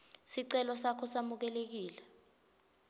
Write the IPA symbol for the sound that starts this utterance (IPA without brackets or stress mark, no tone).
s